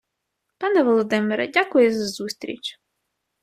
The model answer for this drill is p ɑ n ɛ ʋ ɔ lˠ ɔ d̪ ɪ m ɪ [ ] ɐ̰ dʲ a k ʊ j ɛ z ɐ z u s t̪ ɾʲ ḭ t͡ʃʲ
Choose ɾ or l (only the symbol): ɾ